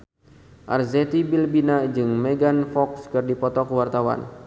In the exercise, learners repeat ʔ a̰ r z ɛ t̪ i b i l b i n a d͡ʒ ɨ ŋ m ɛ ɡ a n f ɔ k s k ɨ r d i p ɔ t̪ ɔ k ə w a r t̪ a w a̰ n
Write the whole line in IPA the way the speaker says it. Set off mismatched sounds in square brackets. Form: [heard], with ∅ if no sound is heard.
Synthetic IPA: ʔ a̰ r z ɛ t̪ i b i l b i n a d͡ʒ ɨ ŋ m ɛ ɡ a n f ɔ k s k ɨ r d i p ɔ t̪ ɔ k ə w a r t̪ a w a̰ n